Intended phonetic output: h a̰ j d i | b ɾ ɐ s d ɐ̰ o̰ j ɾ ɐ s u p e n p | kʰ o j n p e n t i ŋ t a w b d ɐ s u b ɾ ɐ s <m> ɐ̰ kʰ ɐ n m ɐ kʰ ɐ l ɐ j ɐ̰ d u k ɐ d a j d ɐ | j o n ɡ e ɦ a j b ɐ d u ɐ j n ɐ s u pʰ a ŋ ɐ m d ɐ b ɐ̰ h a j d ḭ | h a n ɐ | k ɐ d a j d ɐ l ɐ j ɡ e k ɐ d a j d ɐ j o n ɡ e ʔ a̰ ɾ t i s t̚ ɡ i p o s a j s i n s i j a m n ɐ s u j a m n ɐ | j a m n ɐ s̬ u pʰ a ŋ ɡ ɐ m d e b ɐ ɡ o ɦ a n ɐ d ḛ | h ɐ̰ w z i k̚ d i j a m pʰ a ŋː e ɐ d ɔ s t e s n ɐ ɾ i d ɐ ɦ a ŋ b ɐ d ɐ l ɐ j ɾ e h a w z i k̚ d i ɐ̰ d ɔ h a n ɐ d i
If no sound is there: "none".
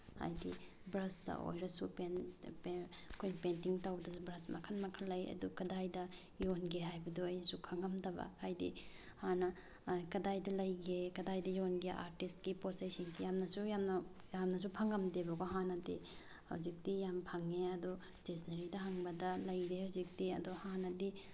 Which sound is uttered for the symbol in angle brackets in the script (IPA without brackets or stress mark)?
m